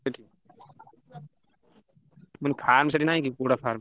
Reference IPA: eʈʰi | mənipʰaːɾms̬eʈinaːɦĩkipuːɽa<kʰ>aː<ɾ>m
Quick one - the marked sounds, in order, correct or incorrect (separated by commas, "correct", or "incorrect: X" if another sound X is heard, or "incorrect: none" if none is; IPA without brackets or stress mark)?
incorrect: pʰ, correct